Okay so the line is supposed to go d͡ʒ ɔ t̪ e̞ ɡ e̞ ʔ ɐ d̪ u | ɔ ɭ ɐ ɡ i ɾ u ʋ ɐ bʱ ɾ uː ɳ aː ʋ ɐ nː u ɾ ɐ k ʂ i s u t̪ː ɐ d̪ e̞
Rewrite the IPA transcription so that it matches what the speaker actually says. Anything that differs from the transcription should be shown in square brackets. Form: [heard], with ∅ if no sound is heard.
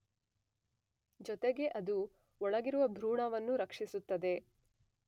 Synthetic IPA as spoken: d͡ʒ ɔ t̪ e̞ ɡ e̞ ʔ ɐ d̪ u | ɔ ɭ ɐ ɡ i ɾ u ʋ ɐ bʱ ɾ uː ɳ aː ʋ ɐ nː u ɾ ɐ k ʂ i s u t̪ː ɐ d̪ e̞